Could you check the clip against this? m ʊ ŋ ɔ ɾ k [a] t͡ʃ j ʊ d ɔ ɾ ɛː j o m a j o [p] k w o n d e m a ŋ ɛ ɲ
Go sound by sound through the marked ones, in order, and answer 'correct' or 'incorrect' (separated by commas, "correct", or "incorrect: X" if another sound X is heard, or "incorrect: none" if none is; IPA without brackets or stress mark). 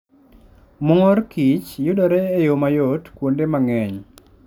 incorrect: i, incorrect: t